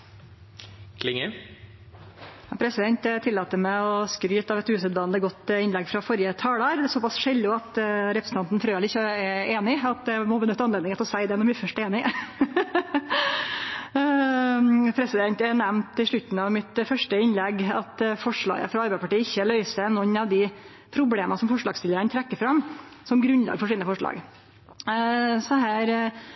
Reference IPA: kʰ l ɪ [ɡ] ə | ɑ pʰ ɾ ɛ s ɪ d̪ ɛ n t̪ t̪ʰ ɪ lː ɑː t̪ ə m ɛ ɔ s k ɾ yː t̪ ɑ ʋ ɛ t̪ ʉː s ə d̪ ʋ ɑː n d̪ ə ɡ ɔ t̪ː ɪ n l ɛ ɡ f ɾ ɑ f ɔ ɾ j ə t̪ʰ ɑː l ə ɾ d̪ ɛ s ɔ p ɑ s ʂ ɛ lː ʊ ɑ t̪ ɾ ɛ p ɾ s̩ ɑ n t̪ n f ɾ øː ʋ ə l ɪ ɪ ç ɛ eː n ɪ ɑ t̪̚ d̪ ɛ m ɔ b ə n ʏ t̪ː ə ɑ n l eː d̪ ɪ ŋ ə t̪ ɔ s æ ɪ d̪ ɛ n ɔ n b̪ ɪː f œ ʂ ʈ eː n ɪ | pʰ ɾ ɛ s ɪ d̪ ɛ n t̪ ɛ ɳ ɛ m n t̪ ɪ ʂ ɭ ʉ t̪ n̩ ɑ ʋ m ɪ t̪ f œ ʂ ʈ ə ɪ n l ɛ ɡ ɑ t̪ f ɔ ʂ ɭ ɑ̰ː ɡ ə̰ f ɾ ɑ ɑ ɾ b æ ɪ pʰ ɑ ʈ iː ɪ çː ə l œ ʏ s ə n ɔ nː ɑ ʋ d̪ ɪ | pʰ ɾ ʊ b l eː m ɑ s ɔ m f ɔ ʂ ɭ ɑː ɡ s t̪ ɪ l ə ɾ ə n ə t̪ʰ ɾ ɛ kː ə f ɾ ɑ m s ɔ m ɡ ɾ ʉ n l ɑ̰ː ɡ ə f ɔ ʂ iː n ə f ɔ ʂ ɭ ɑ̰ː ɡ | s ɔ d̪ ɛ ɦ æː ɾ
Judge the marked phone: incorrect: ŋ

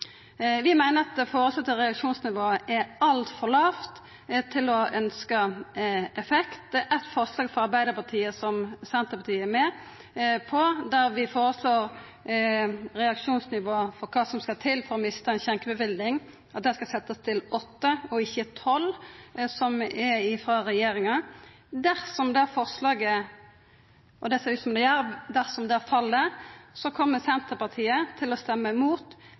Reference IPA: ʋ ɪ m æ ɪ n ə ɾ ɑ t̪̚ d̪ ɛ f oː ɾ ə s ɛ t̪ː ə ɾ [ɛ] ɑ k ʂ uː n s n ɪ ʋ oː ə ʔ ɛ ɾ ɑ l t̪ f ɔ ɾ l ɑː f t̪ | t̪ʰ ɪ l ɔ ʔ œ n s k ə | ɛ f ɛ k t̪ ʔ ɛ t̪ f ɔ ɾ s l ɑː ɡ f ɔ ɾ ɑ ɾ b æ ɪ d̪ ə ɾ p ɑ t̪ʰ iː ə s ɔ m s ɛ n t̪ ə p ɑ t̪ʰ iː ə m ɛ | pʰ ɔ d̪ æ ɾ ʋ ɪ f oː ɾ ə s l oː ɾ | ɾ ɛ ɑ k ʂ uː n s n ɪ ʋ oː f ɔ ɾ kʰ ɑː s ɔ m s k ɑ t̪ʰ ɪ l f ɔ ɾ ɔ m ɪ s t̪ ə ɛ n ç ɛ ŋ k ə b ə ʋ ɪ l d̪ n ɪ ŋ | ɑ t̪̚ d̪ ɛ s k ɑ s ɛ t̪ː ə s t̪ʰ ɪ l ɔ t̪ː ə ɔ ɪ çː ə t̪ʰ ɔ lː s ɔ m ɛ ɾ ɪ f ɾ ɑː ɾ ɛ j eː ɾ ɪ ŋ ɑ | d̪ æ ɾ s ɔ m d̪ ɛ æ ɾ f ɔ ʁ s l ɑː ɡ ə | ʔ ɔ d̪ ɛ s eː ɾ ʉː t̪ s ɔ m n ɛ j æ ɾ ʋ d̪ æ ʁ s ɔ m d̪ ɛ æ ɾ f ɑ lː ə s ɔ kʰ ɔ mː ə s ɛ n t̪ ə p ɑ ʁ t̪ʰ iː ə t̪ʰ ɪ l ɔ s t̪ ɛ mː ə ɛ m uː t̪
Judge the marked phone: correct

